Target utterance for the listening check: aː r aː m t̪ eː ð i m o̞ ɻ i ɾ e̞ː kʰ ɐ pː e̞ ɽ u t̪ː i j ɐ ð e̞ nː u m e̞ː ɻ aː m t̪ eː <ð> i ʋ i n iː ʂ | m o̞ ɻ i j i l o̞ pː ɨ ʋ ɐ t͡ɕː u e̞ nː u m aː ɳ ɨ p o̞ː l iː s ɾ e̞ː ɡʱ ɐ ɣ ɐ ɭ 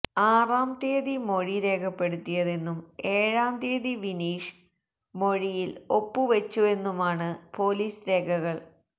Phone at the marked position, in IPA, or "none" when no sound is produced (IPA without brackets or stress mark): ð